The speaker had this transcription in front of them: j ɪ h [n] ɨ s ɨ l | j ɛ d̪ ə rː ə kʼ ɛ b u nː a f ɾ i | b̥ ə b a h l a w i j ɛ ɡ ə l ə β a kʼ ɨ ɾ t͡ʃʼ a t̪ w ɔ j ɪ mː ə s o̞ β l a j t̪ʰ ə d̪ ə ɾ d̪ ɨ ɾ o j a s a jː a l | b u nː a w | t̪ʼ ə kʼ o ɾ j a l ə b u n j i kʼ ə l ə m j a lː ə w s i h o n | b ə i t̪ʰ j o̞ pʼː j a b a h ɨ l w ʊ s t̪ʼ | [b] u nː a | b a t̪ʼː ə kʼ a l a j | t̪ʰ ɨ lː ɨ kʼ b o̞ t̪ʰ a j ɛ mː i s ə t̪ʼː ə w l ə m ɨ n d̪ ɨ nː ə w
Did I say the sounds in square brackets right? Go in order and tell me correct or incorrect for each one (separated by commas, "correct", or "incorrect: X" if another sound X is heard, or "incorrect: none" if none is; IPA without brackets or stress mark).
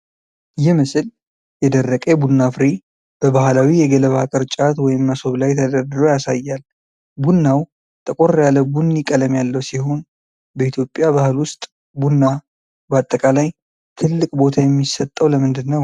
incorrect: m, correct